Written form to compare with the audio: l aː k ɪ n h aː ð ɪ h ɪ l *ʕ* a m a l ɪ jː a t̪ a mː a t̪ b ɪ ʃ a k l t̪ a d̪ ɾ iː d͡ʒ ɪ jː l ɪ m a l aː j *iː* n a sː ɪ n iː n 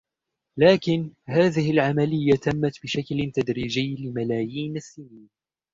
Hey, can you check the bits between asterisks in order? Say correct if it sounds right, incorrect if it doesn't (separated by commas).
correct, correct